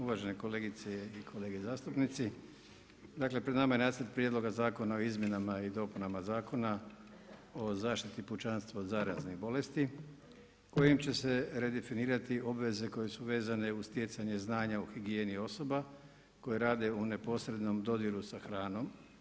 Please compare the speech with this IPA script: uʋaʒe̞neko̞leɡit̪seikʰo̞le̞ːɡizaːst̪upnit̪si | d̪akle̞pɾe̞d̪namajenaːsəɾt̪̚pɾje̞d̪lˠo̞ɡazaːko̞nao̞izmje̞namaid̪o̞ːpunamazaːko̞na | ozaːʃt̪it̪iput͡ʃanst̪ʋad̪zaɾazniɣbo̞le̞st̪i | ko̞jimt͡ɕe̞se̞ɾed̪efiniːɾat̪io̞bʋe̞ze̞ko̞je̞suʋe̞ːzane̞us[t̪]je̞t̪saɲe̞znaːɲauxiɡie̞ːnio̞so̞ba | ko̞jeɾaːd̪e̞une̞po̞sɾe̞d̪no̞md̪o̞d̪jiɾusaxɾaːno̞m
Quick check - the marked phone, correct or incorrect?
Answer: correct